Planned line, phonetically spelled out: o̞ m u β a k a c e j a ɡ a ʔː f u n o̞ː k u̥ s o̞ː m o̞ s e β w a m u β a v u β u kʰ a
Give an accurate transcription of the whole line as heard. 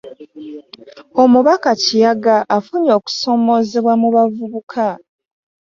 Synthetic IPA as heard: o̞ m u β a k a c i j a ɡ a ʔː f u ɲ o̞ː k u̥ s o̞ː m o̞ z e β w a m u β a v u β u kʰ a